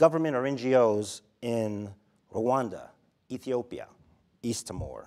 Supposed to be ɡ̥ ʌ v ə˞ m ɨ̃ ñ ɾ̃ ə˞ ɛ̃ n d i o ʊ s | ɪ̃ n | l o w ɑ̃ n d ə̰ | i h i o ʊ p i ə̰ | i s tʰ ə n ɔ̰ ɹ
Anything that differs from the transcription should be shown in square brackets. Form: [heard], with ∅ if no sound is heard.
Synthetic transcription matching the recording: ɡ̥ ʌ v ə˞ m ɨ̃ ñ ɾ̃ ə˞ ɛ̃ n [d͡ʒ] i o ʊ [z] | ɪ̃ n | [ɹ] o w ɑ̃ n d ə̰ | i [θ] i o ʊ p i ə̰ | i s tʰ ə [m] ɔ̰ ɹ